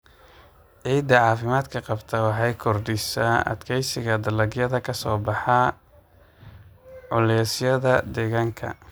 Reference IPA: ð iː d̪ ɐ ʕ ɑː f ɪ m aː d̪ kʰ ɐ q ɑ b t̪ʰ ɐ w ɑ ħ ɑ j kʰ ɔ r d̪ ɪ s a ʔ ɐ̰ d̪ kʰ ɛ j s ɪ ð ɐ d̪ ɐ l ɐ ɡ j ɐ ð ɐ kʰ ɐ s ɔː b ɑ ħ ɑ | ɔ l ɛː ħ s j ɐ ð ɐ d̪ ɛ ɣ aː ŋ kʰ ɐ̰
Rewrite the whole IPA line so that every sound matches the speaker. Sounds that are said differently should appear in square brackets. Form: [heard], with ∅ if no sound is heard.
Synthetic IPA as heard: [ʕ] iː d̪ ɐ ʕ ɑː f ɪ m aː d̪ kʰ ɐ q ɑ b t̪ʰ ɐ w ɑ ħ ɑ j kʰ ɔ r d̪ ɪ s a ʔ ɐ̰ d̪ kʰ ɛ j s ɪ [ɣ] ɐ d̪ ɐ l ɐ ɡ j ɐ ð ɐ kʰ ɐ s ɔː b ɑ ħ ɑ | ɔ l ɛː [∅] s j ɐ ð ɐ d̪ ɛ ɣ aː ŋ kʰ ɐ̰

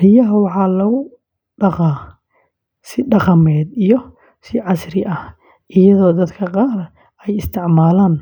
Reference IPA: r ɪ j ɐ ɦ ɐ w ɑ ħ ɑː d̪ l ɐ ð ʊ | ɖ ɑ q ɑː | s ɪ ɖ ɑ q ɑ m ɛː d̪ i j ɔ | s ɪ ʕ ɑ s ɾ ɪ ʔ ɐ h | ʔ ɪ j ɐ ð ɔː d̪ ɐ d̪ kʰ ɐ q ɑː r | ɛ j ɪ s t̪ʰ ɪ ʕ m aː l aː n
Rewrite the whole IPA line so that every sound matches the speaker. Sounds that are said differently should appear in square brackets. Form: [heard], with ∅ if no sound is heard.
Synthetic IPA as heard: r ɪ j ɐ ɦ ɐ w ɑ ħ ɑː [∅] l ɐ [ɣ] ʊ | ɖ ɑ q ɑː | s ɪ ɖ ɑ q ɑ m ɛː d̪ i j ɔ | s ɪ ʕ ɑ s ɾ ɪ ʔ ɐ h | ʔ ɪ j ɐ ð ɔː d̪ ɐ d̪ kʰ ɐ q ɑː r | ɛ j ɪ s t̪ʰ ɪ ʕ m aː l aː n

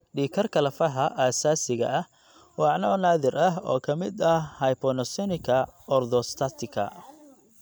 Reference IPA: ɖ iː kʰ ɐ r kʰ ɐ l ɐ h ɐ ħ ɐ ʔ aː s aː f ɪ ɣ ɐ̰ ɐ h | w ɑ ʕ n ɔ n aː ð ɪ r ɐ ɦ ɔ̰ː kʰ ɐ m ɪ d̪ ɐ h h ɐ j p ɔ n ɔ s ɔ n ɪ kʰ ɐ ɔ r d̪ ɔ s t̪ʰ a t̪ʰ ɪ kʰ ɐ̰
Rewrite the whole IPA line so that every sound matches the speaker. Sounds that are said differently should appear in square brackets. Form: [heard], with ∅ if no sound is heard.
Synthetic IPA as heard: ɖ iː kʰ ɐ r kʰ ɐ l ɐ [f] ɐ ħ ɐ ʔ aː s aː [s] ɪ ɣ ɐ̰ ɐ h | w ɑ ʕ n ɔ n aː ð ɪ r ɐ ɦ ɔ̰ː kʰ ɐ m ɪ d̪ ɐ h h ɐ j p ɔ n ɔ s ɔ n ɪ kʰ ɐ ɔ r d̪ ɔ s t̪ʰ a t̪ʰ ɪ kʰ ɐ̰

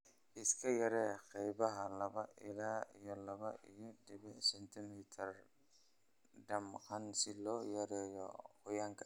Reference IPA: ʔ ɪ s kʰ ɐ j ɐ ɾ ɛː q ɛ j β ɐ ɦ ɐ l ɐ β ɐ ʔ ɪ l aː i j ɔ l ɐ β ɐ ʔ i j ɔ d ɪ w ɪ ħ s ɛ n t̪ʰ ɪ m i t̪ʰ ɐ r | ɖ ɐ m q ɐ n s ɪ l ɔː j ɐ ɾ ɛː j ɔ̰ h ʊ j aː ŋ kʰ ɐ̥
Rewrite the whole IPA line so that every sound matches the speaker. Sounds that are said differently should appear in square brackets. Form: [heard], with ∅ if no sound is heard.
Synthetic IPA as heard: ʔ ɪ s kʰ ɐ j ɐ ɾ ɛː q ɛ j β ɐ ɦ ɐ l ɐ β ɐ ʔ ɪ l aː i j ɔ l ɐ β ɐ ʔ i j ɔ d ɪ [β] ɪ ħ s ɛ n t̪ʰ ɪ m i t̪ʰ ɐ r | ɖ ɐ m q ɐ n s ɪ l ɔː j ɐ ɾ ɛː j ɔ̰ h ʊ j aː ŋ kʰ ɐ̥

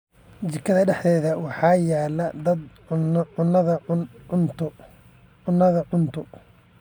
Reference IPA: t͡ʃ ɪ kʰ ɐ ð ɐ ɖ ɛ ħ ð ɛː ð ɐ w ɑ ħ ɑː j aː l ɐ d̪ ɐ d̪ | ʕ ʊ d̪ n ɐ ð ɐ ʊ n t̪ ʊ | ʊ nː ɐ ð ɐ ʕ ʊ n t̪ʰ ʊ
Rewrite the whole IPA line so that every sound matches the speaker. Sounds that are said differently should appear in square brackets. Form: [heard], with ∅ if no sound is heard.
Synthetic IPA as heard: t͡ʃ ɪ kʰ ɐ ð ɐ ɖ ɛ ħ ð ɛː ð ɐ w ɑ ħ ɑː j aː l ɐ d̪ ɐ d̪ | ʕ ʊ [∅] n ɐ ð ɐ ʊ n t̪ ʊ | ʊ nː ɐ ð ɐ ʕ ʊ n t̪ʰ ʊ

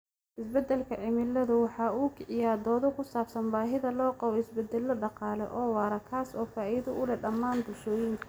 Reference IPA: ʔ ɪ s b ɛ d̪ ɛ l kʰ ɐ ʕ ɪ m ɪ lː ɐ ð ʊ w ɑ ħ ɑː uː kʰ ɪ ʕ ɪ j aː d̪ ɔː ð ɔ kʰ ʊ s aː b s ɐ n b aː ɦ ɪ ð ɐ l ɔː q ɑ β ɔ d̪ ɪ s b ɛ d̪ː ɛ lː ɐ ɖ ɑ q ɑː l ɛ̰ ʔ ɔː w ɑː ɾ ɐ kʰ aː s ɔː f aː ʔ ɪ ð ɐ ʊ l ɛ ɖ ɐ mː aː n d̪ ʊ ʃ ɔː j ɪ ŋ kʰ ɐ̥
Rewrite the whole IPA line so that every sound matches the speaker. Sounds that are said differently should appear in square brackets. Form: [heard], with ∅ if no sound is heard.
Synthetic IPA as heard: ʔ ɪ s b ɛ d̪ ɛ l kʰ ɐ ʕ ɪ m ɪ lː ɐ ð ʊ w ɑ ħ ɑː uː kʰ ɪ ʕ ɪ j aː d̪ ɔː ð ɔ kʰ ʊ s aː b s ɐ n b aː ɦ ɪ ð ɐ l ɔː q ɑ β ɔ [∅] ɪ s b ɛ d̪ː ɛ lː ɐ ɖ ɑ q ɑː l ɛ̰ ʔ ɔː w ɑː ɾ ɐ kʰ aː s ɔː f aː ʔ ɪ ð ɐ ʊ l ɛ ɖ ɐ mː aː n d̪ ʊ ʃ ɔː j ɪ ŋ kʰ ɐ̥

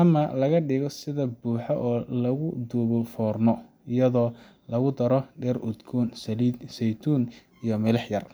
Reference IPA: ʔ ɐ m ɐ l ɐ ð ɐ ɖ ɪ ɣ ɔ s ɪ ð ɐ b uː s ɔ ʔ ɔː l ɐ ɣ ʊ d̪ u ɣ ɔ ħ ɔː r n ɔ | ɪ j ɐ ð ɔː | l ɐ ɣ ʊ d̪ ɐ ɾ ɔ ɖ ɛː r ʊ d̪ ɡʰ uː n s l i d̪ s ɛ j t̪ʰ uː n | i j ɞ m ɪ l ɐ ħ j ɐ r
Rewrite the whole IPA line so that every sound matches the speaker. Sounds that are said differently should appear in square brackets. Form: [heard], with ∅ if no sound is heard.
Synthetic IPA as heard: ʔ ɐ m ɐ l ɐ [ɣ] ɐ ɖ ɪ ɣ ɔ s ɪ ð ɐ b uː [ħ] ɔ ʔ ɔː l ɐ ɣ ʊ d̪ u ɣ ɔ [f] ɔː r n ɔ | ɪ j ɐ ð ɔː | l ɐ ɣ ʊ d̪ ɐ ɾ ɔ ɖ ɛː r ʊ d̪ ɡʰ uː n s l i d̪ s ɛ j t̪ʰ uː n | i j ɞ m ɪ l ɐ ħ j ɐ r

